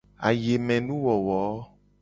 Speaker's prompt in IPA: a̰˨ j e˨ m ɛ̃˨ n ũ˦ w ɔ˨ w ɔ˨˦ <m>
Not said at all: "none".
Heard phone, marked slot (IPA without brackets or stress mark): none